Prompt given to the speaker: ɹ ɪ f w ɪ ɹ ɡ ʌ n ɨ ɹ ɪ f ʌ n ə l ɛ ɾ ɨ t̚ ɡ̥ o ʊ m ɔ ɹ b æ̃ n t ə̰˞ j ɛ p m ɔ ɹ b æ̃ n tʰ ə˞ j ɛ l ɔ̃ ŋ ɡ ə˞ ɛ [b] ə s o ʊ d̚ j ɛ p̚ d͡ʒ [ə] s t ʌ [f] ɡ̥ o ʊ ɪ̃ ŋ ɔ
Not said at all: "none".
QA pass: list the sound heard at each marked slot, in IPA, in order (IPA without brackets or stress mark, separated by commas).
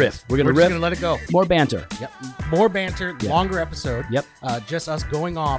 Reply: p, ʌ, s